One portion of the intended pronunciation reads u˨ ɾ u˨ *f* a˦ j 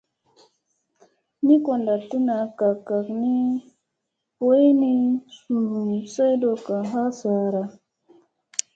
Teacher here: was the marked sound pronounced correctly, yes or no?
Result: no